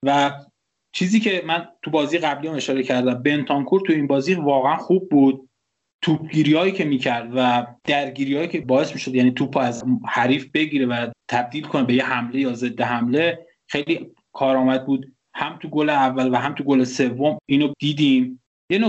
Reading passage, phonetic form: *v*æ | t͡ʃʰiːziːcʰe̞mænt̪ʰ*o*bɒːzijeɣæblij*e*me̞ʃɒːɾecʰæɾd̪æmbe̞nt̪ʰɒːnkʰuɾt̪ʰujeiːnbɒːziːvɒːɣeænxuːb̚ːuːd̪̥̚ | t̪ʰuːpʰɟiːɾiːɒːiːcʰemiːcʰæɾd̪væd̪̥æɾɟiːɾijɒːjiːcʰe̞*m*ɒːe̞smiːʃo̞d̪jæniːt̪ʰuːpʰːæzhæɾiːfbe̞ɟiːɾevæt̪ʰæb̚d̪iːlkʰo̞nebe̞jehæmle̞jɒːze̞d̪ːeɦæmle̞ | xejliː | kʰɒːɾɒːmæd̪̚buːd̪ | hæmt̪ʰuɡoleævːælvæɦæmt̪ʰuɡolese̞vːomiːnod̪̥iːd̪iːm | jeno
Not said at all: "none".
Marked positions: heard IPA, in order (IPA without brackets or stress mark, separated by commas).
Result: v, u, æ, b